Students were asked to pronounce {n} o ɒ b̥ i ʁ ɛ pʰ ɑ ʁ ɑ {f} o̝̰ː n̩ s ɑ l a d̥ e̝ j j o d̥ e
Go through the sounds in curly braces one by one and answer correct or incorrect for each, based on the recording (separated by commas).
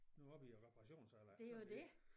correct, incorrect